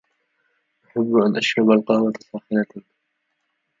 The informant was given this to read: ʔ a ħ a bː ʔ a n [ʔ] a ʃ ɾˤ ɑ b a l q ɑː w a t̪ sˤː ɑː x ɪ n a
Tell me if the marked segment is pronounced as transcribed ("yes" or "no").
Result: yes